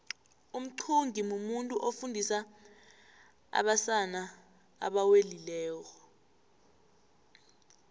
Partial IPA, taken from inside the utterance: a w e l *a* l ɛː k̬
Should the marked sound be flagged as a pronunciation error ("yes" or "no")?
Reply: yes